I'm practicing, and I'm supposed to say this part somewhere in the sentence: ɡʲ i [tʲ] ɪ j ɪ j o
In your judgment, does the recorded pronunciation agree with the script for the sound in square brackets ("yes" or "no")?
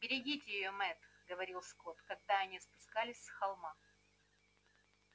yes